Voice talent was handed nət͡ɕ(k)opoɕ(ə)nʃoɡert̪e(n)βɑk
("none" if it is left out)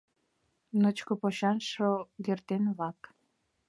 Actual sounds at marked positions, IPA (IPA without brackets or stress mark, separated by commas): k, ɑ, n